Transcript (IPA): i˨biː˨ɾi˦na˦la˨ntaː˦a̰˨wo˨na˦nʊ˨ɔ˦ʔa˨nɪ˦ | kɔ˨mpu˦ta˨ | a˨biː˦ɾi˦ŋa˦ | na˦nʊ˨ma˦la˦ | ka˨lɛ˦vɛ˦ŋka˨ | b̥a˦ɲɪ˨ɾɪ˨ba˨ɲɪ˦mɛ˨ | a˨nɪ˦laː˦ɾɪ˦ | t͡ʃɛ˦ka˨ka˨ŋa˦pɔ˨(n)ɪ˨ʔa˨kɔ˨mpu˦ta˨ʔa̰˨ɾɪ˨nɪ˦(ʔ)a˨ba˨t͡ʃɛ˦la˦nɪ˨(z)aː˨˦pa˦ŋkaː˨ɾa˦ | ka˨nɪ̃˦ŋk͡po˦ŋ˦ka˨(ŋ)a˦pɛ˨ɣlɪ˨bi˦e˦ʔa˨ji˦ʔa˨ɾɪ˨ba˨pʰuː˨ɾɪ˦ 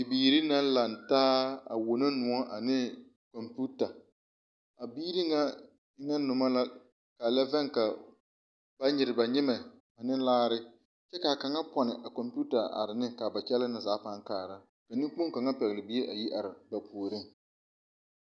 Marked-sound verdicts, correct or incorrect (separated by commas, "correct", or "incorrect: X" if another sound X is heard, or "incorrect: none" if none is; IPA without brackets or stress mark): correct, incorrect: k, correct, correct